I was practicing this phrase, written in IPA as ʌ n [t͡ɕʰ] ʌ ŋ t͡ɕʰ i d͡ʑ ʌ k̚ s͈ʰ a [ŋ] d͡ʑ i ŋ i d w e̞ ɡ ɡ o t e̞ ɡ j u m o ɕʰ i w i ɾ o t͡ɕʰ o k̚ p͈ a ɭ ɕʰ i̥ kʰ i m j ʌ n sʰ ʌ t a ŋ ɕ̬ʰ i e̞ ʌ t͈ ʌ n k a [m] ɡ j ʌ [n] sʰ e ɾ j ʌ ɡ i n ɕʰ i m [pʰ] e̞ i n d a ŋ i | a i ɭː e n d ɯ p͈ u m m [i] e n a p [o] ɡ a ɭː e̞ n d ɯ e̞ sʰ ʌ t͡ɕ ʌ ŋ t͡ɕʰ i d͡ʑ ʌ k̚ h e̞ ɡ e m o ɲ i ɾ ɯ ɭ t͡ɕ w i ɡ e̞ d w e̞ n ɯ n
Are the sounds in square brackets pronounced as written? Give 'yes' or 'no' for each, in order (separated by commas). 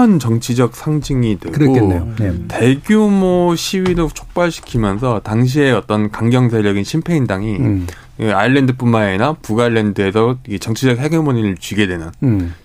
no, yes, no, no, yes, no, no